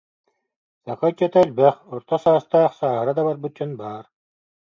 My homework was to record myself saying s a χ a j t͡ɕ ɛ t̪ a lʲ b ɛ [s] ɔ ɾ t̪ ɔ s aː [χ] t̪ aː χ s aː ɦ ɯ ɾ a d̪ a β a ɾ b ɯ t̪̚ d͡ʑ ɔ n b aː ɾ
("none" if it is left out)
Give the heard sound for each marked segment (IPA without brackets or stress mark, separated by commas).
χ, s